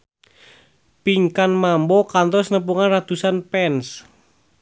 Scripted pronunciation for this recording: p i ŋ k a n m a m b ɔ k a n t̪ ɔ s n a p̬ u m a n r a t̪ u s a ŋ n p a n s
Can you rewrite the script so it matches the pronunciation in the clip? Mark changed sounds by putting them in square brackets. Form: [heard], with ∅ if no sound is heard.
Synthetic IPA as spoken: p i ŋ k a n m a m b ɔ k a n t̪ ɔ s n [ə] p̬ u [ŋ] a n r a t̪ u s a [∅] n p [ɛ] n s